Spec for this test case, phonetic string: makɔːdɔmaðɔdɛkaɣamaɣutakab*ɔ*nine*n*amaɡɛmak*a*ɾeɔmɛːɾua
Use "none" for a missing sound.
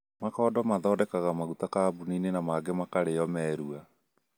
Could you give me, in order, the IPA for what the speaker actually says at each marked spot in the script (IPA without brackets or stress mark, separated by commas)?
u, n, a